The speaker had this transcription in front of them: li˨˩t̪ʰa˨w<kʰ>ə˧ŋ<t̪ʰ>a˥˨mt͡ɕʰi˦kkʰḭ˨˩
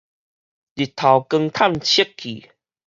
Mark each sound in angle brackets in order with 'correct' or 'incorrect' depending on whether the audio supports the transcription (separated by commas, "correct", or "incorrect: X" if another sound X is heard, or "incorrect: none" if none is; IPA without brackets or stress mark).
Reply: incorrect: k, correct